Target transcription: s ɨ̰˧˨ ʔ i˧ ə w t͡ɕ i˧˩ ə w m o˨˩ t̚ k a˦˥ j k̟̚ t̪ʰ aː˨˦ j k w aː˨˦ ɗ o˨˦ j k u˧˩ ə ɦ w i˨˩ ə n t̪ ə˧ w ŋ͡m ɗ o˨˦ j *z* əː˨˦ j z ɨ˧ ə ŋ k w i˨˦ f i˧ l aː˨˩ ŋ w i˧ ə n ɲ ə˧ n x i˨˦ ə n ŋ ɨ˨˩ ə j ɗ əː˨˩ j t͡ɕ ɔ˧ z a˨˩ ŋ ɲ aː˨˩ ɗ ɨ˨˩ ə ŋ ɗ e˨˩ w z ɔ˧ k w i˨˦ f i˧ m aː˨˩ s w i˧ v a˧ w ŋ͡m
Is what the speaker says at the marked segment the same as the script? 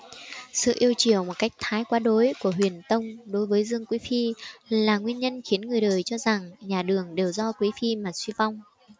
no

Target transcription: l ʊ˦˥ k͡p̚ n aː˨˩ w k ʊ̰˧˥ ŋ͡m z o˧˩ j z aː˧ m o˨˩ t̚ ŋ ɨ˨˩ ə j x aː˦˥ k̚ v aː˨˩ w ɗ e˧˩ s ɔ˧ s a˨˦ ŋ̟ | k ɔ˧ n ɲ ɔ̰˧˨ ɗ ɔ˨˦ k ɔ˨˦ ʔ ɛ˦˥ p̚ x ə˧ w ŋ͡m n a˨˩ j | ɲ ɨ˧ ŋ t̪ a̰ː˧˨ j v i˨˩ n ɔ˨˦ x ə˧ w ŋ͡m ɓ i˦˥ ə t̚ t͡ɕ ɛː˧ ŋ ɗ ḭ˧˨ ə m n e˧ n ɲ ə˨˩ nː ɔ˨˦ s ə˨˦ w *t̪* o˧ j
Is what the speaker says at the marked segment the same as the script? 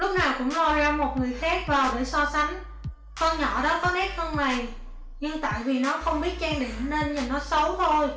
no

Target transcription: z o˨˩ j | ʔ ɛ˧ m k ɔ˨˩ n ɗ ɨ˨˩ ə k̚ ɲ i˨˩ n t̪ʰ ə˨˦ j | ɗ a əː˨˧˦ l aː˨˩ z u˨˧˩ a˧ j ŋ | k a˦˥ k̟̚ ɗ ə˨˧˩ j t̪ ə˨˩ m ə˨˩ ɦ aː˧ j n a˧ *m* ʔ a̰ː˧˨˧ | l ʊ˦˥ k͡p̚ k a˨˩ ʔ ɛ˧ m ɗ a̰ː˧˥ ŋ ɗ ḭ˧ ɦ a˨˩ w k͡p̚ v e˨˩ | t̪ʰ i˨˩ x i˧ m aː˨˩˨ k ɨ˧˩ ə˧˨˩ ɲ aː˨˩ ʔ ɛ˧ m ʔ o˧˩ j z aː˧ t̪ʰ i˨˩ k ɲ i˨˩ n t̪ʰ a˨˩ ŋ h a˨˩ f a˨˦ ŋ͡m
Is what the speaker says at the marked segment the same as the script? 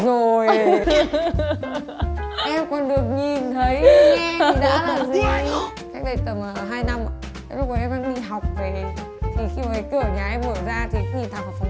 yes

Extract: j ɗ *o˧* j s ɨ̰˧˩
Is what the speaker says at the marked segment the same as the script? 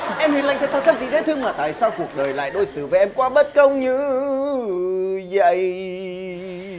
yes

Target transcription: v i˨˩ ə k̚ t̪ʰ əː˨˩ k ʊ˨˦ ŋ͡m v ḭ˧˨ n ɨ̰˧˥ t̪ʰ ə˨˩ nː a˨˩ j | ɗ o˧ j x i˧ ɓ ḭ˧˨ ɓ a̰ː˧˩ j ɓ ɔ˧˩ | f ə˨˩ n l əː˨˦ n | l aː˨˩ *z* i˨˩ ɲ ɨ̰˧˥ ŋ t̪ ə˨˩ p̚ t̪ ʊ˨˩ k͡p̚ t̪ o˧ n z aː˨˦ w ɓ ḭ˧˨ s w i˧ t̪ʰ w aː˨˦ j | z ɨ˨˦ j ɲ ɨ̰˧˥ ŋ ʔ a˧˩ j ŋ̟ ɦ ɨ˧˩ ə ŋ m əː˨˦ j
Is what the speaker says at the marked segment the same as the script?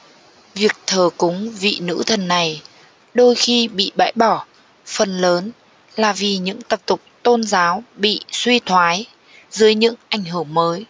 no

